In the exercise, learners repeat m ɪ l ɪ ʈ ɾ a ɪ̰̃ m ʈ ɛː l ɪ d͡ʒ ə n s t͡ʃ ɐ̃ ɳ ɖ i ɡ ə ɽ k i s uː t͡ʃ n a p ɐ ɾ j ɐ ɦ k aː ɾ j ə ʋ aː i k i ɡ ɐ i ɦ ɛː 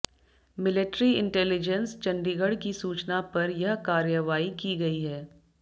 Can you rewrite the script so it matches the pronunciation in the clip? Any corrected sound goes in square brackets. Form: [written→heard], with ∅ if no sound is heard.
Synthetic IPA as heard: m ɪ l ɪ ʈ ɾ [a→i] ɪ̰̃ [m→ɳ] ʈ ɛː l ɪ d͡ʒ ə n s t͡ʃ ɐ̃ ɳ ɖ i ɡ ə ɽ k i s uː t͡ʃ n a p ɐ ɾ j ɐ ɦ k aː ɾ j ə ʋ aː i k i ɡ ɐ i ɦ ɛː

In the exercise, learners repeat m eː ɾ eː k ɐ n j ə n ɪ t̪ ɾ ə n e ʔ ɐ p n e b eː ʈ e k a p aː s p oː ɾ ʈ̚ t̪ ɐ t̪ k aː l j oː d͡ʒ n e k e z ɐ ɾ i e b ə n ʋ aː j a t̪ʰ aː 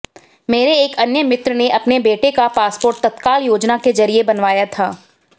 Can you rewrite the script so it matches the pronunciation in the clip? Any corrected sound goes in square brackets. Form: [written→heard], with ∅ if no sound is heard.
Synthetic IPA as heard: m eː ɾ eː k ɐ n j ə [n→m] ɪ t̪ ɾ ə n e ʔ ɐ p n e b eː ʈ e k a p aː s p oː ɾ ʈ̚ t̪ ɐ t̪ k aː l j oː d͡ʒ n [e→a] k e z ɐ ɾ i e b [ə→ɐ] n ʋ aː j a t̪ʰ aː

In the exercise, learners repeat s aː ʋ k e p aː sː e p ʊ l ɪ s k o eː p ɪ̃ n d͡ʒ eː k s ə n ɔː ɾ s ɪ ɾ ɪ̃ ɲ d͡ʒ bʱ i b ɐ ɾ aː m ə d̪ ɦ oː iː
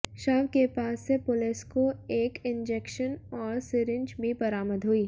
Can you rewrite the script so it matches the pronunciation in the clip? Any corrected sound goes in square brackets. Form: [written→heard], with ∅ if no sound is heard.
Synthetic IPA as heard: [s→ʃ] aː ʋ k e p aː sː e p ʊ l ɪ s k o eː [p→k] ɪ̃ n d͡ʒ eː k [s→ʃ] ə n ɔː ɾ s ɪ ɾ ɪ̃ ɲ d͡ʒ bʱ i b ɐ ɾ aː m ə d̪ ɦ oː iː

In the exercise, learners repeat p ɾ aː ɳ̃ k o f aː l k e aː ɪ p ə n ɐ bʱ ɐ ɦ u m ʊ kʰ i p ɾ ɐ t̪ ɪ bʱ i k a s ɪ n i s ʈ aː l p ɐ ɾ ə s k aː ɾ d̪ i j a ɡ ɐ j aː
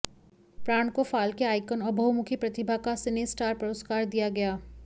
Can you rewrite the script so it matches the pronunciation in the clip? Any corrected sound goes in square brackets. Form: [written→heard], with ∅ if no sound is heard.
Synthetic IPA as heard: p ɾ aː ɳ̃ k o f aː l k e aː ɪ [p→k] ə n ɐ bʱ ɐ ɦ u m ʊ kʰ i p ɾ ɐ t̪ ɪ bʱ [i→a] k a s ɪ n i s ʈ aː [l→ɾ] p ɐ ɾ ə s k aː ɾ d̪ i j a ɡ ɐ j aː

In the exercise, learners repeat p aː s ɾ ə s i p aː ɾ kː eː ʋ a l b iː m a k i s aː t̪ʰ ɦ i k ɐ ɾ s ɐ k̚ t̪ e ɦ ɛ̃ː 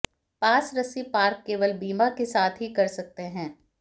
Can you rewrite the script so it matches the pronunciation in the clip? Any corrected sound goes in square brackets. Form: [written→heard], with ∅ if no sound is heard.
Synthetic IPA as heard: p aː s ɾ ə s i p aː ɾ kː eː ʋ [a→ə] l b iː m a k [i→e] s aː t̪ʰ ɦ i k ɐ ɾ s ɐ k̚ t̪ e ɦ ɛ̃ː

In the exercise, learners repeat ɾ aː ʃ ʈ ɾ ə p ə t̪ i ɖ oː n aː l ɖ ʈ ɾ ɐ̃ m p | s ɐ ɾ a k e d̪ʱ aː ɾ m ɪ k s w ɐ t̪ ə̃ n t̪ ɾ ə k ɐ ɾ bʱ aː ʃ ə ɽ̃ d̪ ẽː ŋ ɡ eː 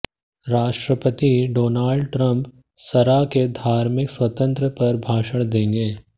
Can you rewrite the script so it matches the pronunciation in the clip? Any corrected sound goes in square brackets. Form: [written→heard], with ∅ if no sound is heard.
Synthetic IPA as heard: ɾ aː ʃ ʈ ɾ ə p ə t̪ i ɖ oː n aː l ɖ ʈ ɾ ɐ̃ m p | s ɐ ɾ a k e d̪ʱ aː ɾ m ɪ k s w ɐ t̪ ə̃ n t̪ ɾ ə [k→p] ɐ ɾ bʱ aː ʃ ə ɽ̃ d̪ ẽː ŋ ɡ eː

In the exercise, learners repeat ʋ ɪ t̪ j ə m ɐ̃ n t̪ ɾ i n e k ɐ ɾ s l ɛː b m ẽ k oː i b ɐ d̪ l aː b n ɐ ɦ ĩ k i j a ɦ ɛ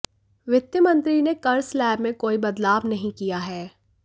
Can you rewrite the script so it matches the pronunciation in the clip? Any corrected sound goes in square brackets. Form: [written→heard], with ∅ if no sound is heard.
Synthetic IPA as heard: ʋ ɪ t̪ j ə m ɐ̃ n t̪ ɾ i n e k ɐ ɾ s l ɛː b m ẽ k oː i b ɐ d̪ l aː b n ɐ ɦ ĩ k i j a ɦ [ɛ→ɛː]

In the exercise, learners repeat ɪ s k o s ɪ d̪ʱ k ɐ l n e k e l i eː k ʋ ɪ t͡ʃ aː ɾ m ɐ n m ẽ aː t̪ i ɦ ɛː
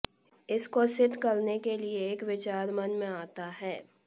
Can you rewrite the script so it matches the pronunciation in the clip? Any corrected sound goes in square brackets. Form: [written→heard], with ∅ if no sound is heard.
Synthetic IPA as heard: ɪ s k o s ɪ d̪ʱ k ɐ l n e k e l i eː k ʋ ɪ t͡ʃ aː ɾ m ɐ n m ẽ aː t̪ [i→a] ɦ ɛː

